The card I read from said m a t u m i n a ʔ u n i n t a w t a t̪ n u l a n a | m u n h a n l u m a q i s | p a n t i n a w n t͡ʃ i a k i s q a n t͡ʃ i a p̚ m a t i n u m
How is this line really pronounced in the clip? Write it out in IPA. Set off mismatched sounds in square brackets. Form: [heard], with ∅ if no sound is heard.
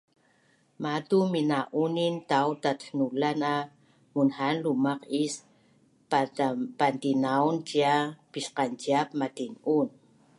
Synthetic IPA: m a t u m i n a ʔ u n i n t a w t a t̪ n u l a n a | m u n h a n l u m a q i s | p a n t i n a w n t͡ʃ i a [p] i s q a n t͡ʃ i a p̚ m a t i n u [n]